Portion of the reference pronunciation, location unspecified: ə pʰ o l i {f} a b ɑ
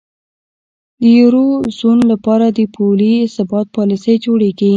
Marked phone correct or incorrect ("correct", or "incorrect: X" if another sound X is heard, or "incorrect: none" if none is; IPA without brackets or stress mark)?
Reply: incorrect: s